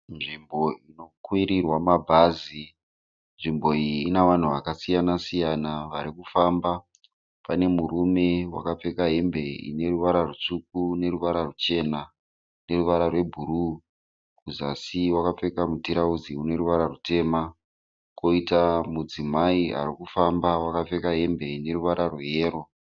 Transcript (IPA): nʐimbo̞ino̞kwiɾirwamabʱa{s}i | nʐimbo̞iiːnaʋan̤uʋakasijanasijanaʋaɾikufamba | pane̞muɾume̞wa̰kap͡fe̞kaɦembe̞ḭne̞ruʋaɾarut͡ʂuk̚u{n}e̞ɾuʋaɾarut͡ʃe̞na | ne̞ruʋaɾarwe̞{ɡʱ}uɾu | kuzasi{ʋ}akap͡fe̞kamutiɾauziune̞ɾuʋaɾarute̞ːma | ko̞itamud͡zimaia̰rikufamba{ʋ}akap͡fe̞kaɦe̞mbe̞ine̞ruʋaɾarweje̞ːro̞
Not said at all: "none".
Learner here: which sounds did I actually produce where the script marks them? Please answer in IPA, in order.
z, n, bʱ, w, w

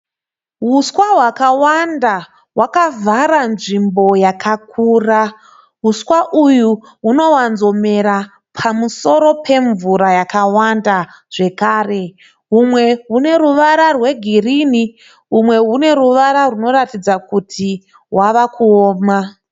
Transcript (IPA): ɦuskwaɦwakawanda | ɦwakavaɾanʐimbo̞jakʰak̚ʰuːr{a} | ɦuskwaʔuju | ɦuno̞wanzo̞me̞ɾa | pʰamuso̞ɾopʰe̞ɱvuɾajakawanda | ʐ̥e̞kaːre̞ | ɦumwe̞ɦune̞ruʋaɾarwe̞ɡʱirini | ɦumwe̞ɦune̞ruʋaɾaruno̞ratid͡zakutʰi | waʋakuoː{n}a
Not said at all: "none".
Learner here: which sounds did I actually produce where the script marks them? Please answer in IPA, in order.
a, m

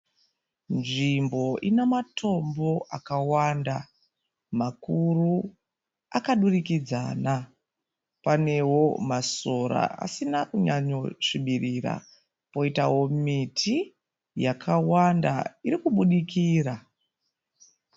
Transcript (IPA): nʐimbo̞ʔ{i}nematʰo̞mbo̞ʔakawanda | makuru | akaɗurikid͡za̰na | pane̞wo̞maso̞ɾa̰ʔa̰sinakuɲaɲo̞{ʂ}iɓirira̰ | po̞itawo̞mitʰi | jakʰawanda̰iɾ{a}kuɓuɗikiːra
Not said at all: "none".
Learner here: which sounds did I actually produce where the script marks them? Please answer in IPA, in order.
i, ʂ, i

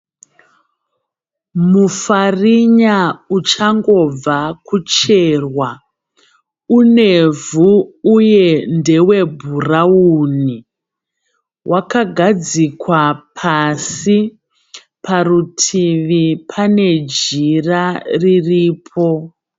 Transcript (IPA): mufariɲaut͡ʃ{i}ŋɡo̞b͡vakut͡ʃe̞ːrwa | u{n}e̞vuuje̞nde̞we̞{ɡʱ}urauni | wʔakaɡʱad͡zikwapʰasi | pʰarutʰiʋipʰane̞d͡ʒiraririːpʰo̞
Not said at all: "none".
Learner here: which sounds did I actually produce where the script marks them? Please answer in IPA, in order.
a, n, bʱ

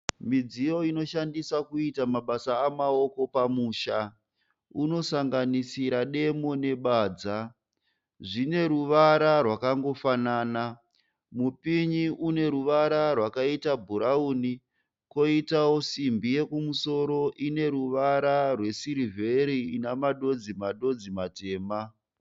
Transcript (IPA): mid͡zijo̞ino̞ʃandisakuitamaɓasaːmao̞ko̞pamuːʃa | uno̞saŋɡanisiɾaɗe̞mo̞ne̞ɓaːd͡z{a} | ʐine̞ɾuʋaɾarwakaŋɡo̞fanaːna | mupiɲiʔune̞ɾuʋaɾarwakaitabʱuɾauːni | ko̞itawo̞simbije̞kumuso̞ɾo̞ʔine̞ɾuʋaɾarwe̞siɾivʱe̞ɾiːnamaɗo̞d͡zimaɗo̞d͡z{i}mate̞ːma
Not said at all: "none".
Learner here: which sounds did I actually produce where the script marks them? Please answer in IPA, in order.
a, i

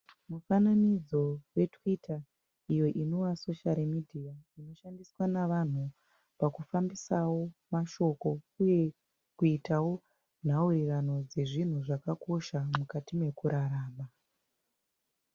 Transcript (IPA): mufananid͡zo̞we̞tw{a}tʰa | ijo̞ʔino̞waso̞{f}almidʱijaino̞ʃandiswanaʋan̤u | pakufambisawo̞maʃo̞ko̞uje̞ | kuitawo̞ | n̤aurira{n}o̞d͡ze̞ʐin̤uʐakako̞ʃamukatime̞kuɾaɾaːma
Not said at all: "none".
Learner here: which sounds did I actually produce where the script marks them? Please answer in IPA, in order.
i, ʃ, n

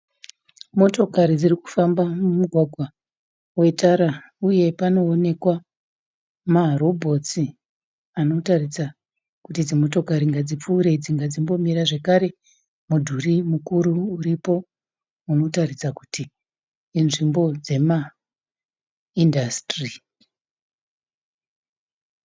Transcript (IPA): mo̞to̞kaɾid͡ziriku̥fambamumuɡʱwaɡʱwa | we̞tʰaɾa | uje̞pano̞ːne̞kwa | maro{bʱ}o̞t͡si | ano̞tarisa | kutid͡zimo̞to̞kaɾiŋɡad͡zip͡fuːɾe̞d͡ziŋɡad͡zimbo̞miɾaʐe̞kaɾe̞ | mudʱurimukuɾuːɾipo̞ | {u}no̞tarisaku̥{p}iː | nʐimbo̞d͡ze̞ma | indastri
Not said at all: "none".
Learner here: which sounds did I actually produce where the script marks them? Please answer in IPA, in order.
bʱ, u, t

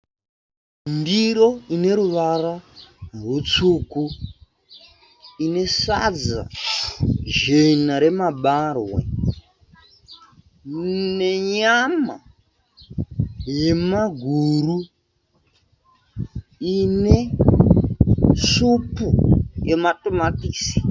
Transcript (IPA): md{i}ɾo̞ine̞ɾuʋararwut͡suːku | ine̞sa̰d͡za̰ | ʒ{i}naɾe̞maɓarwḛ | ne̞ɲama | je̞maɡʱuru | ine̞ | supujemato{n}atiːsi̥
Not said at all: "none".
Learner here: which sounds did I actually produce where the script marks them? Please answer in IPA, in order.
i, e, m

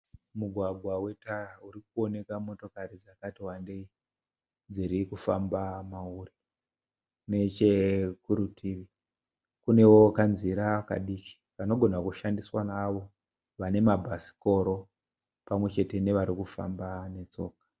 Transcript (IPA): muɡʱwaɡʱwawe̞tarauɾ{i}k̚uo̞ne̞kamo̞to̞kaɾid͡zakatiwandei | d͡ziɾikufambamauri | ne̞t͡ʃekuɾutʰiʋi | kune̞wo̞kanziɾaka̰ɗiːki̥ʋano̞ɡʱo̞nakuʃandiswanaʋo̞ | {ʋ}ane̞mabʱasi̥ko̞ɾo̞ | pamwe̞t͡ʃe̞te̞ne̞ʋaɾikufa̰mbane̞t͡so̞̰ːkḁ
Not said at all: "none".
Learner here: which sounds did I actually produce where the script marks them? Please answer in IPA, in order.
i, ʋ

